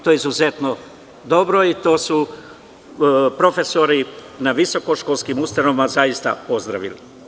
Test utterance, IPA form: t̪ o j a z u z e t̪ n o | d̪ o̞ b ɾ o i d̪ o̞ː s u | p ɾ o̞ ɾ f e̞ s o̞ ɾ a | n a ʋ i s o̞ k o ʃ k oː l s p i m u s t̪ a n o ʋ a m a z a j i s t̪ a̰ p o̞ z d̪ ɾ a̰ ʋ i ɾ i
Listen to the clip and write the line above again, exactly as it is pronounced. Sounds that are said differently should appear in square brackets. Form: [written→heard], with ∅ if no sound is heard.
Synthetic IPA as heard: t̪ o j [a→i] z u z e t̪ n o | d̪ o̞ b ɾ o i [d̪→t̪] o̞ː s u | p ɾ o̞ [ɾ→∅] f e̞ s o̞ ɾ [a→i] | n a ʋ i s o̞ k o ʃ k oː l s [p→k] i m u s t̪ a n o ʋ [a→i] m a z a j i s t̪ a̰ p o̞ z d̪ ɾ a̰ ʋ i [ɾ→l] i